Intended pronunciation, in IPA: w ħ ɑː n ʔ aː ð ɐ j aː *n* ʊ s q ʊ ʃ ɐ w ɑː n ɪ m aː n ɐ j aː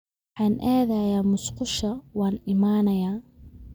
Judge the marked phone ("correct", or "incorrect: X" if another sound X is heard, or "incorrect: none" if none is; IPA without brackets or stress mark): incorrect: m